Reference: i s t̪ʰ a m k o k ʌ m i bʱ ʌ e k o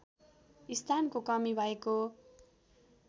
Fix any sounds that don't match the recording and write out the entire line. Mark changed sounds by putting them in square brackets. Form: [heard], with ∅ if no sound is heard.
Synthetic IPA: i s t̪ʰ a [n] k o k ʌ m i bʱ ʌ e k o